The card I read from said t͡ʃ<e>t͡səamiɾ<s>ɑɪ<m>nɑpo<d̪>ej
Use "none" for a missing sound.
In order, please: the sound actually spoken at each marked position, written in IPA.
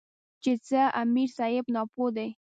e, s, b, d̪

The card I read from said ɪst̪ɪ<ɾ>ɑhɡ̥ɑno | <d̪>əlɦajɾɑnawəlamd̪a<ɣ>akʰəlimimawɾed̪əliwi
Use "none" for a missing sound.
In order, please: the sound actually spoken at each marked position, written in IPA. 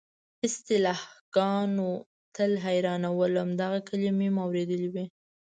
l, t̪, ɣ

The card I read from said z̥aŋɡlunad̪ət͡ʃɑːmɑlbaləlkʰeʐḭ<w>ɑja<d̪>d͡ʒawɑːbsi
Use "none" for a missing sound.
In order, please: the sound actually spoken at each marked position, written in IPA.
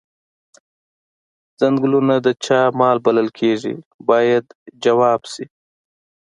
b, d̪

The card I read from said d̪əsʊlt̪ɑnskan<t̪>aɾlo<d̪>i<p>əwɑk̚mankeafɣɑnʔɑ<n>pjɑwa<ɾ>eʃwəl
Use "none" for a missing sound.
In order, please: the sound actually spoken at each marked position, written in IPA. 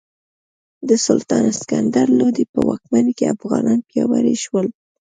d̪, d̪, p, n, ɾ

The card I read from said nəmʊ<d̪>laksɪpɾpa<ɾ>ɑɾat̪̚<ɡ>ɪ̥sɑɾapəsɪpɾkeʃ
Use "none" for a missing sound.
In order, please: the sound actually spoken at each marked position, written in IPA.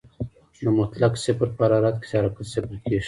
t̪, ɾ, k

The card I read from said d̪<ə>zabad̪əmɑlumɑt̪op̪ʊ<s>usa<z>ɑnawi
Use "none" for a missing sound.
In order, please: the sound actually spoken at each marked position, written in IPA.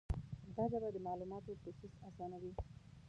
ɑ, s, s

